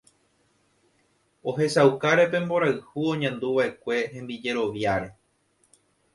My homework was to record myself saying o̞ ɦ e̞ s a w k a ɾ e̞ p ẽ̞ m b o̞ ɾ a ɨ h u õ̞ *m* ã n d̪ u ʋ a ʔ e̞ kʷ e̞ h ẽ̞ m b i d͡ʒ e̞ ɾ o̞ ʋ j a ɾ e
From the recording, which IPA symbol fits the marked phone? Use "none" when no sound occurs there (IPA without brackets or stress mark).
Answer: ɲ